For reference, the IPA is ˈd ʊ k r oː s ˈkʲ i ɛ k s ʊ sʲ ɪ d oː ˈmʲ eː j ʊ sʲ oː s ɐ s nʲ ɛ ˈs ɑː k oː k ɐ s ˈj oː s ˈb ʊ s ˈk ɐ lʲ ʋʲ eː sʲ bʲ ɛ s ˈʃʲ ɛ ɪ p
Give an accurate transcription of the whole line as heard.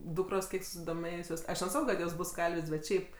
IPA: ˈd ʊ k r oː s ˈkʲ i ɛ k s ʊ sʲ ɪ d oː ˈmʲ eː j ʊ sʲ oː s ɐ ʃ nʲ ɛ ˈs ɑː k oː k ɐ t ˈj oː s ˈb ʊ s ˈk ɐ lʲ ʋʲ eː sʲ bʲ ɛ t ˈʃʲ ɛ ɪ p